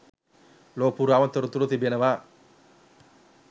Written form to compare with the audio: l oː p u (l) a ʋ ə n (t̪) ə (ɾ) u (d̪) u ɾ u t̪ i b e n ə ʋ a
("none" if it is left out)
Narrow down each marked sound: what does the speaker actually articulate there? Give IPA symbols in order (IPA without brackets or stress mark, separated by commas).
ɾ, t̪, ɾ, t̪